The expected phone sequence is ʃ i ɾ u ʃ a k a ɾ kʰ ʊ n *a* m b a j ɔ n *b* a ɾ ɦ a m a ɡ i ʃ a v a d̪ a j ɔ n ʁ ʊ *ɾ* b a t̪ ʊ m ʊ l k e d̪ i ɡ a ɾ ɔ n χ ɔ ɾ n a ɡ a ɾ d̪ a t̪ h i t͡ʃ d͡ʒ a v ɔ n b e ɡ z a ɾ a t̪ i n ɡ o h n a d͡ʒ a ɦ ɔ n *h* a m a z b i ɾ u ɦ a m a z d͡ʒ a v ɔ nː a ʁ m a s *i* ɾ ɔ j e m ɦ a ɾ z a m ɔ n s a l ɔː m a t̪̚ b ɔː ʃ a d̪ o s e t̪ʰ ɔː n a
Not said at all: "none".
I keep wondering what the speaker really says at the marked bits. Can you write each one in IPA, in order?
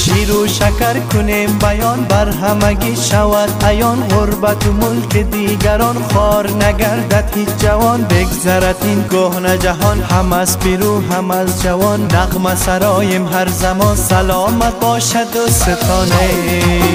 e, b, ɾ, h, a

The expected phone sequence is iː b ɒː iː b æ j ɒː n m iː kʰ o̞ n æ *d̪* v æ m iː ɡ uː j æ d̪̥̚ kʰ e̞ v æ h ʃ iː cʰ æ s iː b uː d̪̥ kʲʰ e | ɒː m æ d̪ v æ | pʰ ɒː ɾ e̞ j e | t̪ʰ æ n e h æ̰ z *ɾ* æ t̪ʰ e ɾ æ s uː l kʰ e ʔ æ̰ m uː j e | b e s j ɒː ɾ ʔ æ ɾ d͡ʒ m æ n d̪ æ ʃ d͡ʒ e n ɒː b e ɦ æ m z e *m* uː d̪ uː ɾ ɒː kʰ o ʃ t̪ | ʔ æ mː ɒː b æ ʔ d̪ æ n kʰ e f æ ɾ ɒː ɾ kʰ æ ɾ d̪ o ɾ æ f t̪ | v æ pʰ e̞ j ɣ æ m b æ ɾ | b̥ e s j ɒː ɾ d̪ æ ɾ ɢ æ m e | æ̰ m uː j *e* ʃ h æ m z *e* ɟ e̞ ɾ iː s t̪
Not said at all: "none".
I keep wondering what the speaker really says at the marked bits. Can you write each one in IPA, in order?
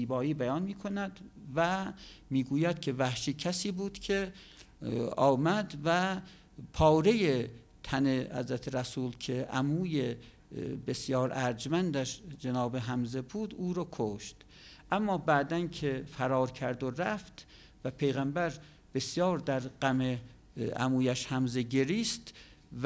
d̪, ɾ, b, æ, e

